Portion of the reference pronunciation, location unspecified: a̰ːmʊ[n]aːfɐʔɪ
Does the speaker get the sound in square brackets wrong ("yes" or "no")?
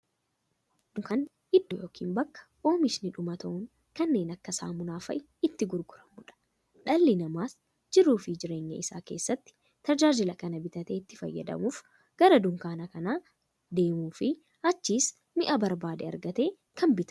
no